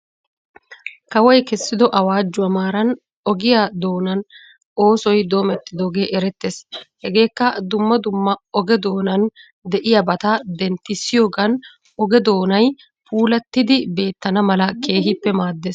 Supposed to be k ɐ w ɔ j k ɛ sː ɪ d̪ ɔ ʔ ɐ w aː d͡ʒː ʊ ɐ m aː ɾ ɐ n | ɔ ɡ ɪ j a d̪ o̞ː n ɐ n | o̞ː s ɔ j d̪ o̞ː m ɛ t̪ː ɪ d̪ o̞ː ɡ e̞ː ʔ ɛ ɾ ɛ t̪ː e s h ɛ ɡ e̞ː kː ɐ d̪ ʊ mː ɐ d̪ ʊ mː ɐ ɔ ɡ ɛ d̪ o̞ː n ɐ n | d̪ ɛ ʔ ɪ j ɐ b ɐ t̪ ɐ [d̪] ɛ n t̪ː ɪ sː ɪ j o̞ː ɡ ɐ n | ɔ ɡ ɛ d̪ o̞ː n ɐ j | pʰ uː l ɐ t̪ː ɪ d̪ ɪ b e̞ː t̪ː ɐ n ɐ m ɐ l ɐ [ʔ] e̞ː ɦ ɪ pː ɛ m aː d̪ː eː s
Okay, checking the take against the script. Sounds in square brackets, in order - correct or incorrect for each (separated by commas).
correct, incorrect